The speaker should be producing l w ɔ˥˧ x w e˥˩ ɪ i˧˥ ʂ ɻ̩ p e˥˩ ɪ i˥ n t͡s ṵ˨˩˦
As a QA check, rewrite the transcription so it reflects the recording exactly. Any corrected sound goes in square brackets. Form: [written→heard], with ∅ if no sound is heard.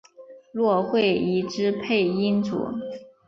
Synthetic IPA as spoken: l w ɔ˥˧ x w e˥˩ ɪ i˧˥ [ʂ→ʈ͡ʂ] ɻ̩ [p→pʰ] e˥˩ ɪ i˥ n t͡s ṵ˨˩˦